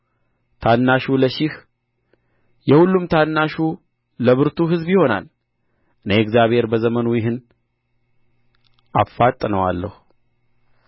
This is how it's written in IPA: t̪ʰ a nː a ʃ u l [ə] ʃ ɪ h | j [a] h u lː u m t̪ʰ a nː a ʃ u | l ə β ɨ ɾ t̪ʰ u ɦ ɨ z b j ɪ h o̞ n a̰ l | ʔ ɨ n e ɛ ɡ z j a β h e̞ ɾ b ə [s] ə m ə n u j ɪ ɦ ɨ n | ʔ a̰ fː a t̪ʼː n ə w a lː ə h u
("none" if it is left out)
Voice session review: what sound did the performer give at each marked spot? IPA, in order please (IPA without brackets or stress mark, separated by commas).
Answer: ə, ɛ, z